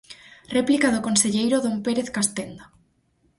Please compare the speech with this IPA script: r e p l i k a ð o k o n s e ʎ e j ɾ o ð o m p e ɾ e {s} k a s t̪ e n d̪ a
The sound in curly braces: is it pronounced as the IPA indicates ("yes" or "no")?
no